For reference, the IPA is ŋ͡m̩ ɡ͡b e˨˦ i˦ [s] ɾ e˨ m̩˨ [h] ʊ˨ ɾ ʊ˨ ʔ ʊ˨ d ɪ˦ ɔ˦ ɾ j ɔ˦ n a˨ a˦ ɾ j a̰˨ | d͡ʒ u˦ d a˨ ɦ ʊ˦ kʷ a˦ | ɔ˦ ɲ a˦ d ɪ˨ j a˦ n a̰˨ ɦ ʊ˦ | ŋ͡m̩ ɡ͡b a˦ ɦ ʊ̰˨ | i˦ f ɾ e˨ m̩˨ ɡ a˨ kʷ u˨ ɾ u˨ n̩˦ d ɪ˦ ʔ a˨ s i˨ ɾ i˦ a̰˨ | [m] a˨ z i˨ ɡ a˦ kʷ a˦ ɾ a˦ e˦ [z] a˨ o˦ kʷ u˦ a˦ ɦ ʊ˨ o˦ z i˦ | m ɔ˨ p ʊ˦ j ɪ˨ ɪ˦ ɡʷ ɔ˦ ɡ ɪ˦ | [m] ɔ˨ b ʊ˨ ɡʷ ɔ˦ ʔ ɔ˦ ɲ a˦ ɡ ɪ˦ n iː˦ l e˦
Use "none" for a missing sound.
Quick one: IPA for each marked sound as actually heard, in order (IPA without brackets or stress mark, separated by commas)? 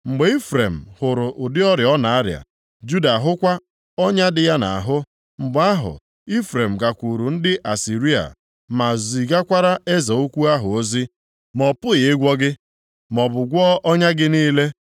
f, h, m, z, m